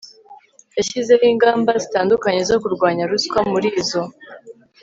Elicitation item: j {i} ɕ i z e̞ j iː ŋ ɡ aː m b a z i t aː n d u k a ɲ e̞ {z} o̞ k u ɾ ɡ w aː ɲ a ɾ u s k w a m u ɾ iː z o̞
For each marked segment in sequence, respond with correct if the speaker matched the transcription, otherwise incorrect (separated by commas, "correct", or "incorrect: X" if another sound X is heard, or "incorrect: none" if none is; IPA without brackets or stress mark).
incorrect: a, correct